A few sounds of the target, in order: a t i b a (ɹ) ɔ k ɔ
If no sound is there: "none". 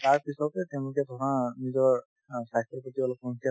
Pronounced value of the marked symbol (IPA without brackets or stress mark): l